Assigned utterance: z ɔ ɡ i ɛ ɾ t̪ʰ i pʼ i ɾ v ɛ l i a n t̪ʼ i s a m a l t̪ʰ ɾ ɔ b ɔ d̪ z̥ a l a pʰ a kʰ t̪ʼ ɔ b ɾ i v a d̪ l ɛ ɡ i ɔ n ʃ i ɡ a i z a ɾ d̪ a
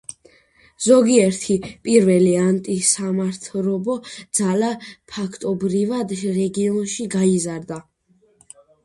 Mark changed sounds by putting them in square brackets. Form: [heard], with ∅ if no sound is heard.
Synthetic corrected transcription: z ɔ ɡ i ɛ ɾ t̪ʰ i pʼ i ɾ v ɛ l i a n t̪ʼ i s a m a [ɾ] t̪ʰ ɾ ɔ b ɔ d̪ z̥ a l a pʰ a kʰ t̪ʼ ɔ b ɾ i v a d̪ [ɾ] ɛ ɡ i ɔ n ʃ i ɡ a i z a ɾ d̪ a